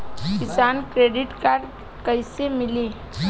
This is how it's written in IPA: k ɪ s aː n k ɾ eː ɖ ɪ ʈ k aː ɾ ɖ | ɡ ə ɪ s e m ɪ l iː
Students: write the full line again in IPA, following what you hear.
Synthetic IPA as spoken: k ɪ s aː n k ɾ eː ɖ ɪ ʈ k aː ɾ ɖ | k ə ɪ s e m ɪ l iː